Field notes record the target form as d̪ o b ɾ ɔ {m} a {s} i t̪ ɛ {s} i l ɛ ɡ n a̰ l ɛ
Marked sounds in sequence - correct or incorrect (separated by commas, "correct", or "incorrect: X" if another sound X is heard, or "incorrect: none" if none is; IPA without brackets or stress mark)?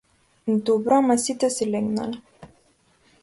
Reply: correct, correct, correct